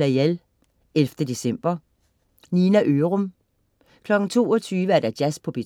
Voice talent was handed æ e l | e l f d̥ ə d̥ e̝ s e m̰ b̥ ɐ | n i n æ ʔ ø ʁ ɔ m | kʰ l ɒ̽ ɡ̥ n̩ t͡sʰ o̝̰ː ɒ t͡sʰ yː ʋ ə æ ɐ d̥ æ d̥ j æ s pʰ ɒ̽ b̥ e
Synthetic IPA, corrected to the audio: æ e l | e l f d̥ ə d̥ e̝ s e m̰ b̥ ɐ | n i n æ ʔ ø ʁ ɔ m | kʰ l ɒ̽ ɡ̥ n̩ t͡sʰ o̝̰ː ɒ t͡sʰ yː ʋ ə æ ɐ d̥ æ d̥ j æ s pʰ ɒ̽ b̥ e